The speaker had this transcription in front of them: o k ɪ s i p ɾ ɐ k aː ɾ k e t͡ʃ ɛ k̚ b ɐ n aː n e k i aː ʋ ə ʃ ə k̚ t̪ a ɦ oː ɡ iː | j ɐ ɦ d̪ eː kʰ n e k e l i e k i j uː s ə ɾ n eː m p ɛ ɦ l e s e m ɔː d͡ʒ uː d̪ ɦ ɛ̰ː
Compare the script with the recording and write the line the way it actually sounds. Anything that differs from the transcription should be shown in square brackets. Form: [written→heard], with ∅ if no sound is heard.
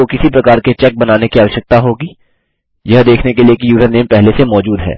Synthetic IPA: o k ɪ s i p ɾ ɐ k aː ɾ k e t͡ʃ ɛ k̚ b ɐ n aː n e k i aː ʋ ə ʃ ə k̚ t̪ a ɦ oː ɡ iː | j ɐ ɦ d̪ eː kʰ n e k e l i e k i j uː [s→z] ə ɾ n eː m p ɛ ɦ l e s e m ɔː d͡ʒ uː d̪ ɦ ɛ̰ː